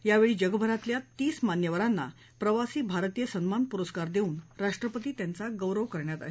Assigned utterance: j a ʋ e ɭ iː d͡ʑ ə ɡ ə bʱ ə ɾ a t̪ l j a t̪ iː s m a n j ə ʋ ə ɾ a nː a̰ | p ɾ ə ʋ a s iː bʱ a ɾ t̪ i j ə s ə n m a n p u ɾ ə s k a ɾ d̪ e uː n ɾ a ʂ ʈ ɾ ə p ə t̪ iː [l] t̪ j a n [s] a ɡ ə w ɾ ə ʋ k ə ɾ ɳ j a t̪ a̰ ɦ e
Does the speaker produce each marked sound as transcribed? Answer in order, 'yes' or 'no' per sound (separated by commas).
no, no